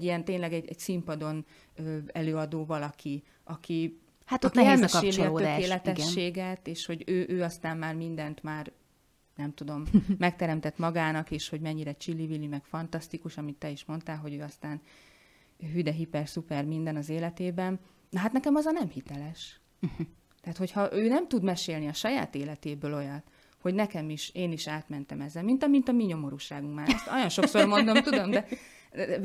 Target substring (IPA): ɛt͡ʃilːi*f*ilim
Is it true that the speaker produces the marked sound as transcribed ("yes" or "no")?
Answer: no